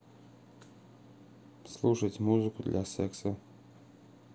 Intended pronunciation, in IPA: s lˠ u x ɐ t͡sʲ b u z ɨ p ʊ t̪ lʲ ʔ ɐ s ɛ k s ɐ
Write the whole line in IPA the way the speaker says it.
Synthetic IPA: s lˠ u ʂ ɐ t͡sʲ m u z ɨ k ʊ d̪ lʲ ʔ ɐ s ɛ k s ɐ